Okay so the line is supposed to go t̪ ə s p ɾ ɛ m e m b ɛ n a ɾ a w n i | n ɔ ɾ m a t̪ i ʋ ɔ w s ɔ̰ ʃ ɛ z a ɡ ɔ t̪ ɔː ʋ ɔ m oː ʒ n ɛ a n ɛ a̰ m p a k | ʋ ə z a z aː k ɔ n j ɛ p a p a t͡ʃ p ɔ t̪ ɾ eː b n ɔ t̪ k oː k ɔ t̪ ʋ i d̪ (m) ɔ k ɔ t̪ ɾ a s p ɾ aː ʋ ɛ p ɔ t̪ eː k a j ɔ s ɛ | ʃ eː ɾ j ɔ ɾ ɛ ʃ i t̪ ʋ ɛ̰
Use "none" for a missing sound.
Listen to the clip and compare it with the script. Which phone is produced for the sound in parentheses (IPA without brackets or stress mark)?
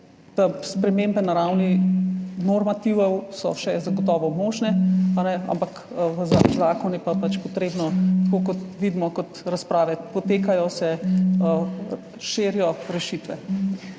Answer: m